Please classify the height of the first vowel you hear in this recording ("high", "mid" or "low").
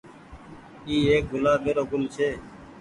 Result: high